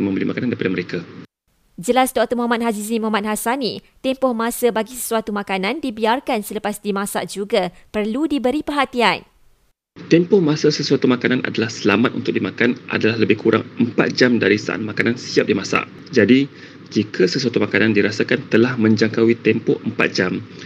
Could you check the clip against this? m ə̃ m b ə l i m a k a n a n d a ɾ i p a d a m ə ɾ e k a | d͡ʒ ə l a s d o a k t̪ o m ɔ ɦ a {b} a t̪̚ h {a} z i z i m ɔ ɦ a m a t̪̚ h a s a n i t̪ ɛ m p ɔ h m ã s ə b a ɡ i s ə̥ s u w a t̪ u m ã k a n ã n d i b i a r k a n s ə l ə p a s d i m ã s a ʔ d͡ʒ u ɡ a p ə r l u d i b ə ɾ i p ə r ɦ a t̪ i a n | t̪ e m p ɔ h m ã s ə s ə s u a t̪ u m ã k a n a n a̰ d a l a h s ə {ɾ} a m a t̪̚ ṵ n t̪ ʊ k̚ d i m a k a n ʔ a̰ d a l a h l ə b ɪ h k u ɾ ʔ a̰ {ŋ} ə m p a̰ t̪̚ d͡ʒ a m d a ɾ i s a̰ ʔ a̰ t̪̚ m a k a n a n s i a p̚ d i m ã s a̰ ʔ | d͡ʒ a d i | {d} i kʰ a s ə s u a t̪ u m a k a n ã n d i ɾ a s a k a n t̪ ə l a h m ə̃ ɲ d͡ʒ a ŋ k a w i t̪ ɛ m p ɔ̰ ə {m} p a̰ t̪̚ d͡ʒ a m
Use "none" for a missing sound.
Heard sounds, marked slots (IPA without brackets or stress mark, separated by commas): m, a, l, ŋ, d͡ʒ, m